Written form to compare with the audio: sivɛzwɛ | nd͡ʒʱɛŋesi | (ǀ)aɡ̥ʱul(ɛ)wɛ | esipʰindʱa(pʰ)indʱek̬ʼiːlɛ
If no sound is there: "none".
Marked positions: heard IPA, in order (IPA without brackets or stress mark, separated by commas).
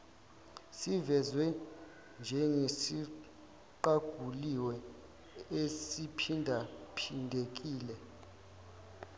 ǃ, i, pʰ